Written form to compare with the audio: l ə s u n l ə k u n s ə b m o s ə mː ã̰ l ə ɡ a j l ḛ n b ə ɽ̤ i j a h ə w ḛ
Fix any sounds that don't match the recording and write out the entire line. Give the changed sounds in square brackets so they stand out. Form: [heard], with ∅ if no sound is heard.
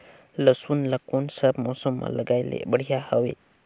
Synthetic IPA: l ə s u n l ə k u n s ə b m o s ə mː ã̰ l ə ɡ a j l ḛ [∅] b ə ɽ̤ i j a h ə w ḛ